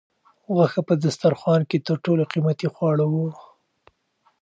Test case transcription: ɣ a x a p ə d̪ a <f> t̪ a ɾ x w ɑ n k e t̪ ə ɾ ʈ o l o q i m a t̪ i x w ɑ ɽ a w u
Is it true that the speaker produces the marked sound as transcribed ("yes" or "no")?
no